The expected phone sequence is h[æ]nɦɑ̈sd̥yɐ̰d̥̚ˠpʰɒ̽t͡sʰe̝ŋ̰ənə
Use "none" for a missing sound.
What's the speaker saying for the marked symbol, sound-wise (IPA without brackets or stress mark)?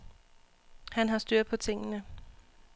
æ